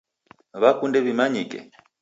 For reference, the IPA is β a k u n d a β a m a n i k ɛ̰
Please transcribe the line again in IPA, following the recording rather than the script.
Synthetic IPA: β a k u n d ɛ β i m a ɲ i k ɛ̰